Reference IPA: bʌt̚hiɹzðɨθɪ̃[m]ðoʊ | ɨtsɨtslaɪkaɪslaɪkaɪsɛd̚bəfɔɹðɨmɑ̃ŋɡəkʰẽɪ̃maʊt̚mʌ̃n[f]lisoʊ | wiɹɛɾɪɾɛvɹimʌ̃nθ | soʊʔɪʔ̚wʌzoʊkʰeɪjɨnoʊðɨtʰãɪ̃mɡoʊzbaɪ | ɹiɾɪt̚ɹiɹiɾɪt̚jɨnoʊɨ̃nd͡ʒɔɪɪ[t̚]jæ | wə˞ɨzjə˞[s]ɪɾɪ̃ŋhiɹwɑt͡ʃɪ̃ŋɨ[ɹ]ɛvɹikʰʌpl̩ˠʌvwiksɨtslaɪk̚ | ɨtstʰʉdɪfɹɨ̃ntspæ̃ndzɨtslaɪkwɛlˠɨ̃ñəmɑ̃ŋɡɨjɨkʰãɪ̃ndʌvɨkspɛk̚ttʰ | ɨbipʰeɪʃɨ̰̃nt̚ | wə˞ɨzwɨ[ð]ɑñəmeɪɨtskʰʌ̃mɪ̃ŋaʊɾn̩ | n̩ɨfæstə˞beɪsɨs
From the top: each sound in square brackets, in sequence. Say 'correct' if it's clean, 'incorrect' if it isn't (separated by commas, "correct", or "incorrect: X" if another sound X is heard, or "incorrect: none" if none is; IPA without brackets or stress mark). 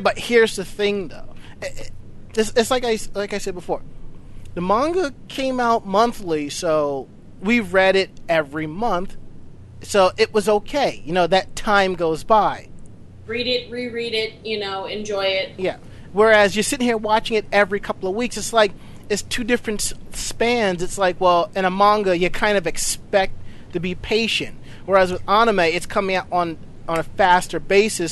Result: incorrect: ŋ, incorrect: θ, correct, correct, incorrect: ɾ, correct